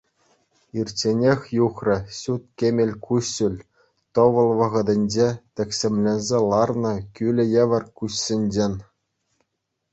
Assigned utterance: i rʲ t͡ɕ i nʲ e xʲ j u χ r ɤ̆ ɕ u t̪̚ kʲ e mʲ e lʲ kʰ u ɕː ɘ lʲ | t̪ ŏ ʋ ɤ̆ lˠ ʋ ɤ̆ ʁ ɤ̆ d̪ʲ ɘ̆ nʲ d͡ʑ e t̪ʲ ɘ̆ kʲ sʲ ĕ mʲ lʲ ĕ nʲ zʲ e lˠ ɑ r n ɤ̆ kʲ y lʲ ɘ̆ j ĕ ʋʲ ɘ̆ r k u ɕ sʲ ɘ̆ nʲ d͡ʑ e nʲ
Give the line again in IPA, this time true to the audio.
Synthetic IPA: i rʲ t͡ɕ e nʲ e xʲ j u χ r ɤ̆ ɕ u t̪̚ kʲ e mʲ e lʲ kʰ u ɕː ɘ lʲ | t̪ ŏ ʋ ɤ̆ lˠ ʋ ɤ̆ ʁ ɤ̆ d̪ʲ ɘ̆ nʲ d͡ʑ e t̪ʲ ɘ̆ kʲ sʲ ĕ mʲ lʲ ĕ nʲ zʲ e lˠ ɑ r n ɤ̆ kʲ y lʲ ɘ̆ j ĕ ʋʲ ɘ̆ r k u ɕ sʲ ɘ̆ nʲ d͡ʑ e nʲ